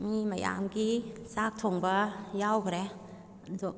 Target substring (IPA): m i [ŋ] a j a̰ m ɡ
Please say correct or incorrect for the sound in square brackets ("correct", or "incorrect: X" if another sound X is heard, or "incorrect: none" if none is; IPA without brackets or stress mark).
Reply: incorrect: m